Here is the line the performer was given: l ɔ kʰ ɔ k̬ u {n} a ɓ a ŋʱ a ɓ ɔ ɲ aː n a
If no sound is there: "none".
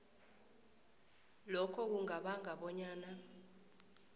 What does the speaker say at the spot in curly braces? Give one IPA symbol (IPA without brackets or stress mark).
ŋ